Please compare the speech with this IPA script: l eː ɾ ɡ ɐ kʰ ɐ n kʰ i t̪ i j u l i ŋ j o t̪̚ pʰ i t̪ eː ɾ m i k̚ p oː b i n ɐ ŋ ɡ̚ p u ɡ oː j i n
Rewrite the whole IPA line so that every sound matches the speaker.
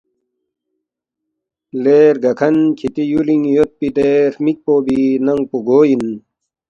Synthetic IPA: l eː ɾ ɡ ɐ kʰ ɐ n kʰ i t̪ i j u l i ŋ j o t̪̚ p i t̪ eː ɾ m i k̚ p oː b i n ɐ ŋ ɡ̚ p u ɡ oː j i n